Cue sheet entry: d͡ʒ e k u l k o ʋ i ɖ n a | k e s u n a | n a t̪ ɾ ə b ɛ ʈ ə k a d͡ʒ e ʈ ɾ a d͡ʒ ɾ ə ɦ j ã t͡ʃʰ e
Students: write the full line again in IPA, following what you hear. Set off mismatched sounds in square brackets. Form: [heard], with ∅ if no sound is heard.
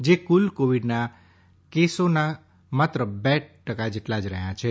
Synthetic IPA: d͡ʒ e k u l k o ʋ i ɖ n a | k e s [o] n a | [m] a t̪ ɾ ə b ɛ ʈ ə k a d͡ʒ e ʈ [l] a d͡ʒ ɾ ə ɦ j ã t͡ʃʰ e